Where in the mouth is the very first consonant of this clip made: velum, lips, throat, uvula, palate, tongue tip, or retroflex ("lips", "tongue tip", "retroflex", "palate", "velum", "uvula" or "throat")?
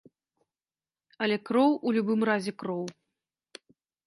tongue tip